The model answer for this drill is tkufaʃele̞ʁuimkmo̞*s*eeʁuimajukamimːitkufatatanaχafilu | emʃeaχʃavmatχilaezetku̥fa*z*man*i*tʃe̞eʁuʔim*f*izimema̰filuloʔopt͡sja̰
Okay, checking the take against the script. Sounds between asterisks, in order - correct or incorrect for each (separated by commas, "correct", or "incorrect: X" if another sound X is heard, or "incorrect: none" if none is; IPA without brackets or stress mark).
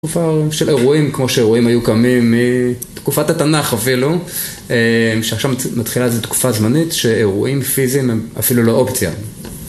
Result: incorrect: ʃ, correct, correct, correct